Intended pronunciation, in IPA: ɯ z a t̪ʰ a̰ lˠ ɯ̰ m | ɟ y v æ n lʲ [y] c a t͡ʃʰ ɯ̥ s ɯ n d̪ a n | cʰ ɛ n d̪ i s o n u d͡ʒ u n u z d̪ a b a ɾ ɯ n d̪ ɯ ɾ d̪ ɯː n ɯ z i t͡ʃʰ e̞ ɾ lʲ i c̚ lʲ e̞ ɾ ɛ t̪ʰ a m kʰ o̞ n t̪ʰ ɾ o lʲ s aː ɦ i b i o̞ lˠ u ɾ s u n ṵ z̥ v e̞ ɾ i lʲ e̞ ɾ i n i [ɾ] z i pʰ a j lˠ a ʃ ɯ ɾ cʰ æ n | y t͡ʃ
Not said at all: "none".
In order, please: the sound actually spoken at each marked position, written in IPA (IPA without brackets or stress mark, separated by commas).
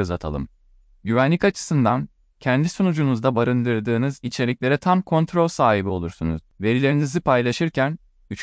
i, none